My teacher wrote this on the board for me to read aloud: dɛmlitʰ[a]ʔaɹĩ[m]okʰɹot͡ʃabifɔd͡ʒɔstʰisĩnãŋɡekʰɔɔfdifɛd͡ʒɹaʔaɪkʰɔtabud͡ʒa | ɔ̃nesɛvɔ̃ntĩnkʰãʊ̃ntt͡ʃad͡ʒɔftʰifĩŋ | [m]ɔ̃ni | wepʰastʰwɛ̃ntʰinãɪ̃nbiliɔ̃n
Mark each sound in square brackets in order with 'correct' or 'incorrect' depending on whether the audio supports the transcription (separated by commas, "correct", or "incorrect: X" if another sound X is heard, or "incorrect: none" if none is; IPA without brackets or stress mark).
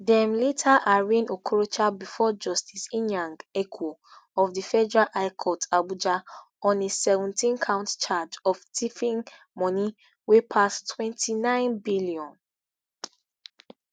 correct, incorrect: n, correct